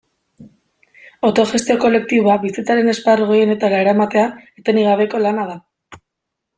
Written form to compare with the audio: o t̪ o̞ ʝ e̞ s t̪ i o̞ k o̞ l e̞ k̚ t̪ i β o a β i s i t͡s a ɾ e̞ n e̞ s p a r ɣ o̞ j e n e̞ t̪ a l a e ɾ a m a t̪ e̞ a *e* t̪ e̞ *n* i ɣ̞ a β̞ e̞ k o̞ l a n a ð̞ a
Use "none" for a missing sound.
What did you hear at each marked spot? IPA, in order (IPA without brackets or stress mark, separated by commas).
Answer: e, n